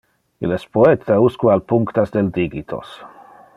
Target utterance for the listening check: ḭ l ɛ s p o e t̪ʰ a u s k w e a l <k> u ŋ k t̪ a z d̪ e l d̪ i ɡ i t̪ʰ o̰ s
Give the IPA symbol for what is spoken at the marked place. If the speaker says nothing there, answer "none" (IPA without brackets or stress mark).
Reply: p